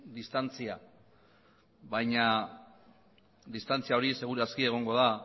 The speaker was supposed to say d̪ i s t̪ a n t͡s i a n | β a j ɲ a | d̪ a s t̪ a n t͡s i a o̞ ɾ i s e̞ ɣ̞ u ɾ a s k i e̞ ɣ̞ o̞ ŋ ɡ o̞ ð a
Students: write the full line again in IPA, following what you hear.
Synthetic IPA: d̪ i s t̪ a n t͡s i a | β a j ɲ a | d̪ i s t̪ a n t͡s i a o̞ ɾ i s e̞ ɣ̞ u ɾ a s k i e̞ ɣ̞ o̞ ŋ ɡ o̞ ð a